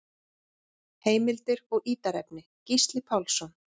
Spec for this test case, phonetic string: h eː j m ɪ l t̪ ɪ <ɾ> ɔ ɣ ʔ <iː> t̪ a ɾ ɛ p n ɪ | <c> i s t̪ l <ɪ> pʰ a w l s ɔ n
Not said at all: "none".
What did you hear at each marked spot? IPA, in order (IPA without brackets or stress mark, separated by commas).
ɾ, iː, c, ɪ